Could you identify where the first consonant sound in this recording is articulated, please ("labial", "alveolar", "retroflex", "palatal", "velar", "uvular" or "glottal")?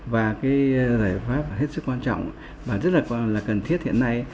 labial